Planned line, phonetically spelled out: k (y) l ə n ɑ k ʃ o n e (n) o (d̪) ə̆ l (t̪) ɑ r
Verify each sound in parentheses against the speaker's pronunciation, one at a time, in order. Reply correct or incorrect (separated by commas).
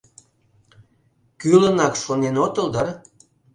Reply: correct, correct, incorrect, incorrect